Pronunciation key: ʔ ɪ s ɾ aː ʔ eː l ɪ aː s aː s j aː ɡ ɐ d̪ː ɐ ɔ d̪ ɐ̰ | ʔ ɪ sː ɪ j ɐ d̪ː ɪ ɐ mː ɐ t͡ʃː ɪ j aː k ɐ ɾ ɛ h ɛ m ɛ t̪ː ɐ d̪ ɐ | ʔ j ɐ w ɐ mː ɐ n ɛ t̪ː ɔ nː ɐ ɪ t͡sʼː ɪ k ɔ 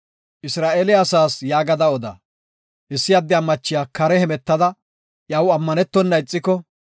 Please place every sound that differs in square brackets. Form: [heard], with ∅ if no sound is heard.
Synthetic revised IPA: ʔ ɪ s ɾ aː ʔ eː l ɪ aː s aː s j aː ɡ ɐ [d̪] ɐ ɔ d̪ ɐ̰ | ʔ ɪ sː ɪ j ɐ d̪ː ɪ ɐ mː ɐ t͡ʃː ɪ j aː k ɐ ɾ ɛ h ɛ m ɛ t̪ː ɐ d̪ ɐ | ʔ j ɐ w ɐ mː ɐ n ɛ t̪ː ɔ nː ɐ ɪ t͡sʼː ɪ k ɔ